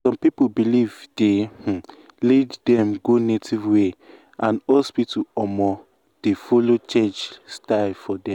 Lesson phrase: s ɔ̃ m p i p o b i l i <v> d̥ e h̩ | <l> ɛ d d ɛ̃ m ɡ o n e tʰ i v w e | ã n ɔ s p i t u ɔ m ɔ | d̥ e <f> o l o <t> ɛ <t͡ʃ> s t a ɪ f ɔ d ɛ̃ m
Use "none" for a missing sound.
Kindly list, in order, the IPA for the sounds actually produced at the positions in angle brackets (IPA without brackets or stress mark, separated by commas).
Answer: v, l, f, t͡ʃ, t͡ʃ